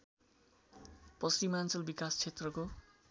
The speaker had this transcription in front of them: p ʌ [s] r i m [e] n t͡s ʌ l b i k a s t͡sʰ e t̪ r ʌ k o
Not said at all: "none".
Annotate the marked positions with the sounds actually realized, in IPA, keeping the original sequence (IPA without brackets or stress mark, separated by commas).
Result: s, a